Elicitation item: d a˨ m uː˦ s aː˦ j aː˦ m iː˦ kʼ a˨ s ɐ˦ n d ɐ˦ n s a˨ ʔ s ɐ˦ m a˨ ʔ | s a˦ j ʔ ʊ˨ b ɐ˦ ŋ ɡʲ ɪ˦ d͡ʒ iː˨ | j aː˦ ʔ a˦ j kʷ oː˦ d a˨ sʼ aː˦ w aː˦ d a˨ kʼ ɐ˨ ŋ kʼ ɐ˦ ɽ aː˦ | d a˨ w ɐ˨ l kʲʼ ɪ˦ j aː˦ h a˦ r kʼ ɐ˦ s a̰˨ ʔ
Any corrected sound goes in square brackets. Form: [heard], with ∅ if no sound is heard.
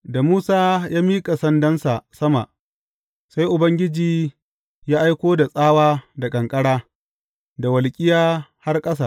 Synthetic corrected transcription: d a˨ m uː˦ s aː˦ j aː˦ m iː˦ kʼ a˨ s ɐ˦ n d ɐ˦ n s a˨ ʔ s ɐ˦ m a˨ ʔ | s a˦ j ʔ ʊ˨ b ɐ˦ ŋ ɡʲ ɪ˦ d͡ʒ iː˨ | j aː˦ ʔ a˦ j kʷ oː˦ d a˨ sʼ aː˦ w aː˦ d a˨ kʼ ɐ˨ ŋ kʼ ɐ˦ ɽ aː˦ | d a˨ w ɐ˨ l kʲʼ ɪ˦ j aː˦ h a˦ r kʼ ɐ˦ s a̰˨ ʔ